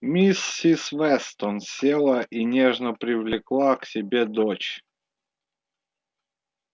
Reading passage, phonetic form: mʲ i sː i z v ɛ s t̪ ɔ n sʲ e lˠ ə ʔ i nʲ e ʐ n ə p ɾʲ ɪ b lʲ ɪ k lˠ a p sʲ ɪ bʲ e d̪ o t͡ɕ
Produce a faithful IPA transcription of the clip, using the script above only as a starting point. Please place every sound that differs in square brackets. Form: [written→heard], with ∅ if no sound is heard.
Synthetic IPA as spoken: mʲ i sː i [z→s] v ɛ s t̪ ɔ n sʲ e lˠ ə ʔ i nʲ e ʐ n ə p ɾʲ ɪ [b→v] lʲ ɪ k lˠ a [p→k] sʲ ɪ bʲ e d̪ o t͡ɕ